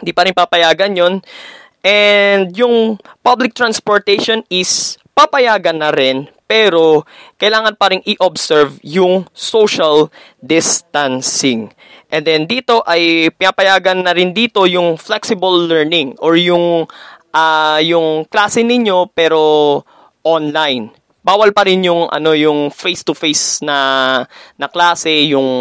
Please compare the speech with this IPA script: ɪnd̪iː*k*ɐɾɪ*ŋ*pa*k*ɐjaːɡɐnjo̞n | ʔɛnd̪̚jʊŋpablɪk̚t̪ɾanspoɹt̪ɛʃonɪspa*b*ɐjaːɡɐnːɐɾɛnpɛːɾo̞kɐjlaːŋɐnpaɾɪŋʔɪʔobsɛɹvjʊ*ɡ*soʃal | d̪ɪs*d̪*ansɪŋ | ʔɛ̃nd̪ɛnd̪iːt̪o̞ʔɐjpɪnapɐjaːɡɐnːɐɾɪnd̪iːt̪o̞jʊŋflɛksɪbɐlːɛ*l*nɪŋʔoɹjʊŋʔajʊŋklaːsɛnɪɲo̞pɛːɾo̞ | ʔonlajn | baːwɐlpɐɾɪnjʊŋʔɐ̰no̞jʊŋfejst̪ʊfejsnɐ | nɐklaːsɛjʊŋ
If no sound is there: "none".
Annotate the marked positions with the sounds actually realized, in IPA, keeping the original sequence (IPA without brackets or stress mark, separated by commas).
p, n, p, p, ŋ, t̪, ɹ